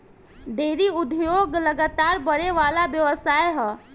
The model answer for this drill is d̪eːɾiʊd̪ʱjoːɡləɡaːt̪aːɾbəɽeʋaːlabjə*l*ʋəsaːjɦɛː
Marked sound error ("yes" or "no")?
yes